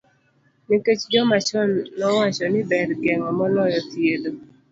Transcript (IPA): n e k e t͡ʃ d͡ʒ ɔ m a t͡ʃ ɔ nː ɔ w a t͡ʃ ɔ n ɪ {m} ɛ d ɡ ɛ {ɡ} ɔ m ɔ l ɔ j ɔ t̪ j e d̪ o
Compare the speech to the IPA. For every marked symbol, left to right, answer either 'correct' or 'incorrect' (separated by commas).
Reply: incorrect, incorrect